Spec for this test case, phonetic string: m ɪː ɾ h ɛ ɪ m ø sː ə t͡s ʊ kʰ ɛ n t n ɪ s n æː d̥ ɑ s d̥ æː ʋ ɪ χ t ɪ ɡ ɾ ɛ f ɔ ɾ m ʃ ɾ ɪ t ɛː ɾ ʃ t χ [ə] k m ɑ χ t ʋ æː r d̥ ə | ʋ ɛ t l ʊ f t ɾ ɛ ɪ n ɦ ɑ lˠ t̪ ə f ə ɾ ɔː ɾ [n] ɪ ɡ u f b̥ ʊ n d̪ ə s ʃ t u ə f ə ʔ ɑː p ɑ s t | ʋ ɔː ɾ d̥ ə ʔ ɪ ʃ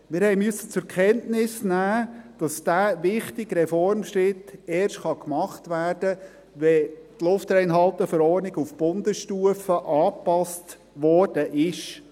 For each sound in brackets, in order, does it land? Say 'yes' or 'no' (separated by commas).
no, yes